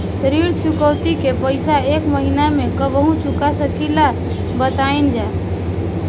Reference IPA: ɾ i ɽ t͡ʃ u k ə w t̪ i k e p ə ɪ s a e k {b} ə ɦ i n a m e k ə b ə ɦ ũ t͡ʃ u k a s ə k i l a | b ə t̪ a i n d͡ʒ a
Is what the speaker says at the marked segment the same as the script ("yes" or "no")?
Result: no